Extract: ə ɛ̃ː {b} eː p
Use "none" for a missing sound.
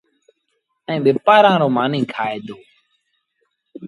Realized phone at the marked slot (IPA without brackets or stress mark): ɓ